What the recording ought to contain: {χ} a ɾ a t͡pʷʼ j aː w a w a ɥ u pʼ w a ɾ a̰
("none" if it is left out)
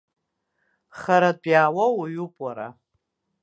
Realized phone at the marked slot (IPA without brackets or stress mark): χ